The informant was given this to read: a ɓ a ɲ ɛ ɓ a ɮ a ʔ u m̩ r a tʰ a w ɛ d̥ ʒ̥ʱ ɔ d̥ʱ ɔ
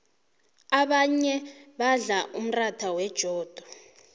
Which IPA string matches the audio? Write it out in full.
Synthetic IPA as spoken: a ɓ a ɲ ɛ ɓ a ɮ a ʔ u m̩ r a tʰ a w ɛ d̥ ʒ̥ʱ ɔː d̥ʱ ɔ